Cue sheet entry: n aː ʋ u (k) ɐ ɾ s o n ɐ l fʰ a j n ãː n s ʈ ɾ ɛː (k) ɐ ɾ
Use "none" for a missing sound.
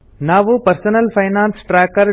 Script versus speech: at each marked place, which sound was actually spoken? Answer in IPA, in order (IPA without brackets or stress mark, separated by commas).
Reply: p, k